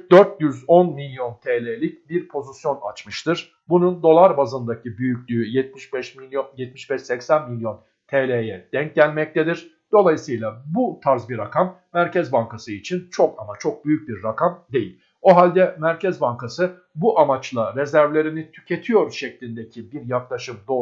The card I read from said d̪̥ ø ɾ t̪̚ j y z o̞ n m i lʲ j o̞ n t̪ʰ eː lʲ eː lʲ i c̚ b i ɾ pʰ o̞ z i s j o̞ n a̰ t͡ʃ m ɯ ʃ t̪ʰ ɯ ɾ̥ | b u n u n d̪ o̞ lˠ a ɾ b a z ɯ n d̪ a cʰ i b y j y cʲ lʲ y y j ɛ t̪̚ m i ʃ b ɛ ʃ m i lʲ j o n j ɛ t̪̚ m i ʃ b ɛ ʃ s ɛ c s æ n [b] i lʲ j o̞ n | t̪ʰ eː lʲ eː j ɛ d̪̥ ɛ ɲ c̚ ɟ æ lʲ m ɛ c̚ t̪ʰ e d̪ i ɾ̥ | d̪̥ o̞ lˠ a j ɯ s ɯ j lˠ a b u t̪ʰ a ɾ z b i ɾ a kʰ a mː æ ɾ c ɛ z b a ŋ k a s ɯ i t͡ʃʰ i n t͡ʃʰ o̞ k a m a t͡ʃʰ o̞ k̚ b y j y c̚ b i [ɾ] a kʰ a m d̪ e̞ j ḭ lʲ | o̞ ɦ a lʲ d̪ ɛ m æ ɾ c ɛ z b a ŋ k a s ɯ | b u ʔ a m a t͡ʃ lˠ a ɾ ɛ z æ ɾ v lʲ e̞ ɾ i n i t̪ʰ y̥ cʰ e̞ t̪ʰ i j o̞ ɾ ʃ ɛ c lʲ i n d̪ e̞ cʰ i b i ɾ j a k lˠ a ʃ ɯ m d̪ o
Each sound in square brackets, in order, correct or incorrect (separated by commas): incorrect, incorrect